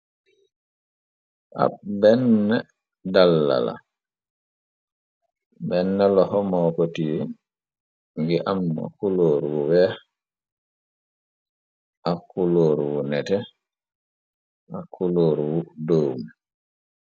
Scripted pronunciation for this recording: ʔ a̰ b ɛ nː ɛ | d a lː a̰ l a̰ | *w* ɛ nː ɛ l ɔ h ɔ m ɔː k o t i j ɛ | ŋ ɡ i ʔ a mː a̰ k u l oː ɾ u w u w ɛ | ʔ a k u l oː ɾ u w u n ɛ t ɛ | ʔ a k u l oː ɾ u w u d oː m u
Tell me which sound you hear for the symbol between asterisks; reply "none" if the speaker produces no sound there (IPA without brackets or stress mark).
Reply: b